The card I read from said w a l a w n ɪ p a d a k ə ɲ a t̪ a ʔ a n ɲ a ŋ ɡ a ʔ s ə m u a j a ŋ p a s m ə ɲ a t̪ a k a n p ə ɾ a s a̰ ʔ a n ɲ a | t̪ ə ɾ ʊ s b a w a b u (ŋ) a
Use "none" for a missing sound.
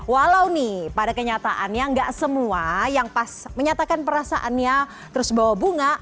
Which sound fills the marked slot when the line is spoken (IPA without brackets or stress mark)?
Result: ŋ